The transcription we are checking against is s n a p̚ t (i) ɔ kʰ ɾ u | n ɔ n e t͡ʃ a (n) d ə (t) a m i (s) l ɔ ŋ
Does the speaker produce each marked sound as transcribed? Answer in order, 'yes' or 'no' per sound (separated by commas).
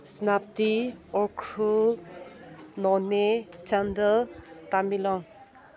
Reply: yes, yes, yes, no